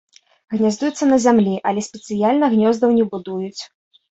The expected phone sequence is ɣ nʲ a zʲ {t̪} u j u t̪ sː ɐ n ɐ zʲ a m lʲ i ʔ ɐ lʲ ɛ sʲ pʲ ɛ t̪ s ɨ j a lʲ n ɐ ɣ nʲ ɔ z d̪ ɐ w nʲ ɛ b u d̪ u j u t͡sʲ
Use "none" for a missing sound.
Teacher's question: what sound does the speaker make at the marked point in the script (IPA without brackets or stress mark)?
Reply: d̪